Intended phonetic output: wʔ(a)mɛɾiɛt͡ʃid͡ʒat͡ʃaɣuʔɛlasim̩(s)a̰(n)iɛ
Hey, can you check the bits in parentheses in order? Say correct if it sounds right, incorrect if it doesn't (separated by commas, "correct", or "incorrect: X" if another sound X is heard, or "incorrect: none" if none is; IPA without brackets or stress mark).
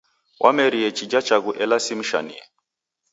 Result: correct, incorrect: ʃ, correct